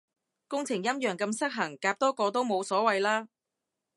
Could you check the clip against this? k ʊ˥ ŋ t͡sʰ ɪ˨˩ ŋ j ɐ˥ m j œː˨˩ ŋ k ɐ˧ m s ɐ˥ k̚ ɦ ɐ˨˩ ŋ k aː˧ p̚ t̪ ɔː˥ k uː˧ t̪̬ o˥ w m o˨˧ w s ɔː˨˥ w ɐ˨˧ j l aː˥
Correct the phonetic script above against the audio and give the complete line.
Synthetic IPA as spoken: k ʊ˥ ŋ t͡sʰ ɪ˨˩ ŋ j ɐ˥ m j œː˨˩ ŋ k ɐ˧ m s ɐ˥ k̚ ɦ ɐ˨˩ ŋ k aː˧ p̚ t̪ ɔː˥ k ɔː˧ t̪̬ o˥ w m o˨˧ w s ɔː˨˥ w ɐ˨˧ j l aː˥